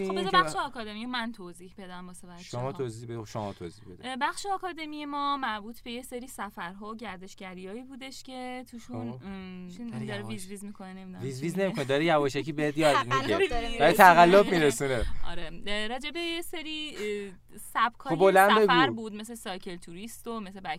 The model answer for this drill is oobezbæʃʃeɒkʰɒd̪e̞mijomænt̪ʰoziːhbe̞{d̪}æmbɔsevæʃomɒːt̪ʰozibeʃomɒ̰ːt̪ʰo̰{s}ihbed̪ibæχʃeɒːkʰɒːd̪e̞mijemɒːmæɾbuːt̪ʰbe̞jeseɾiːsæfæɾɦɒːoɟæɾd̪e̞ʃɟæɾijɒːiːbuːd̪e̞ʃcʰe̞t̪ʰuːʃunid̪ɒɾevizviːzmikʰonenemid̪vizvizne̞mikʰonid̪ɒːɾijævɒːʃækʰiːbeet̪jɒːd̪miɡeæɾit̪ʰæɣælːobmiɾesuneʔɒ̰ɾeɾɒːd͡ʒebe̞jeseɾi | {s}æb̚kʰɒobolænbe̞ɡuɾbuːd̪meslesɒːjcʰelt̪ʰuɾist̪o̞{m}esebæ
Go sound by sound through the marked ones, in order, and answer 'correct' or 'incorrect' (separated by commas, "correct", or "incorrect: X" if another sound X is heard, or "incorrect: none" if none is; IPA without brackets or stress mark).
correct, incorrect: z, correct, correct